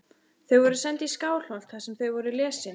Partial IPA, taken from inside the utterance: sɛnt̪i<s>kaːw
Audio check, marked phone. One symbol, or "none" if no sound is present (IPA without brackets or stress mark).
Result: s